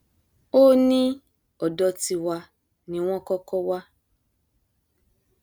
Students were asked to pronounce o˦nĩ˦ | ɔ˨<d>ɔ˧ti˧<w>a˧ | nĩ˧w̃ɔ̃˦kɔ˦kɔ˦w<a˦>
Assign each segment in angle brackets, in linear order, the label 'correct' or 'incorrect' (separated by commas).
correct, correct, correct